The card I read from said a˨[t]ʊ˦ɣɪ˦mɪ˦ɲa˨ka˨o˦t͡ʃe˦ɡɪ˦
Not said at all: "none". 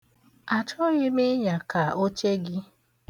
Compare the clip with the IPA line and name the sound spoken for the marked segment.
t͡ʃ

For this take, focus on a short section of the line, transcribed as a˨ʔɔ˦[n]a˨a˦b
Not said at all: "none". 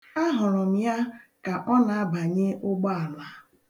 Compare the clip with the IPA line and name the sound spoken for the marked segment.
n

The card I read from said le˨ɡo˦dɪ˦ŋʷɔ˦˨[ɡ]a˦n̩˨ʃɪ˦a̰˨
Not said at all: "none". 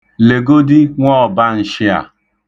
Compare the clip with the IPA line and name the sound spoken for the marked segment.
b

